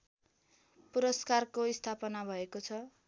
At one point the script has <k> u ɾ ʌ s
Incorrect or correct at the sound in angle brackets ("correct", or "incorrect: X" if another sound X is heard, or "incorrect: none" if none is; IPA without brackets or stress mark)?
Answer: incorrect: p